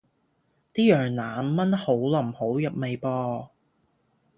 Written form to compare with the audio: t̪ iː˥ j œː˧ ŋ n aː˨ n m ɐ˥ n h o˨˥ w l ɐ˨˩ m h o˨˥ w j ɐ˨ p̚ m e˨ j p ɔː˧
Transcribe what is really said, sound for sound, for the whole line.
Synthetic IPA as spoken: t̪ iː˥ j œː˨˩ ŋ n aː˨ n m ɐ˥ n h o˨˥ w l ɐ˨˩ m h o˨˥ w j ɐ˨ p̚ m e˨ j p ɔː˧